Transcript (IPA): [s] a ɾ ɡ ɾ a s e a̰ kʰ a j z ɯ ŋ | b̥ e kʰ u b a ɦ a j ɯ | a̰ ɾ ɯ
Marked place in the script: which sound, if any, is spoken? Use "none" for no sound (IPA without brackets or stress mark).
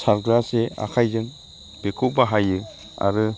s